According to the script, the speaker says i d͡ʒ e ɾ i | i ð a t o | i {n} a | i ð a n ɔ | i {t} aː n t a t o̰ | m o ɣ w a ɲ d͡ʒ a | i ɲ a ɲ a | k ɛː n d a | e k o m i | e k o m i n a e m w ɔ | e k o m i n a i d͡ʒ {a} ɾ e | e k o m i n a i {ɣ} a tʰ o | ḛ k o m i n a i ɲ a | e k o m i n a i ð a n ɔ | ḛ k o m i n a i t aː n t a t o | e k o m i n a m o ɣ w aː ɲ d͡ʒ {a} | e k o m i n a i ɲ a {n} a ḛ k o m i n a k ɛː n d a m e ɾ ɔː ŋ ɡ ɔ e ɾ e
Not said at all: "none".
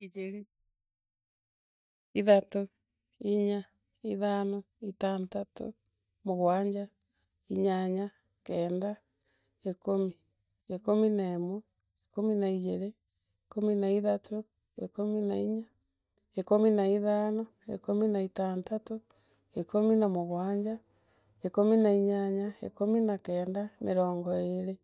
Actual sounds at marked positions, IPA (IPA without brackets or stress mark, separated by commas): ɲ, t, e, ð, a, ɲ